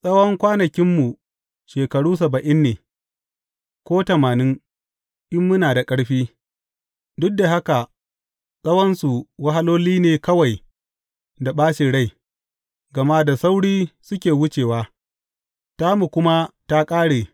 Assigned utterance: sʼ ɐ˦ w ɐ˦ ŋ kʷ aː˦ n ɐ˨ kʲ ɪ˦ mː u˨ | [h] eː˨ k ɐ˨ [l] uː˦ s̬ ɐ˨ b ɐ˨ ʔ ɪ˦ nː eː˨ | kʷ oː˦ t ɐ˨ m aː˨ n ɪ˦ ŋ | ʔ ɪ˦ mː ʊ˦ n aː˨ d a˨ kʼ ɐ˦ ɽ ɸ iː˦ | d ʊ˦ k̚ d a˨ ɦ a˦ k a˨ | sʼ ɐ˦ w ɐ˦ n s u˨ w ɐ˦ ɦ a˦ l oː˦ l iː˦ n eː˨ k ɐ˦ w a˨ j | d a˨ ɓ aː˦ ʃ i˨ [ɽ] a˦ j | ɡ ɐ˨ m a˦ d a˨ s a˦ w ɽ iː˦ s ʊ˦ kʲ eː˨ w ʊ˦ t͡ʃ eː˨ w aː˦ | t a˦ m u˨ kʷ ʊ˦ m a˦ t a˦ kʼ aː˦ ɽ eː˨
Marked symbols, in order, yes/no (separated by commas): no, no, yes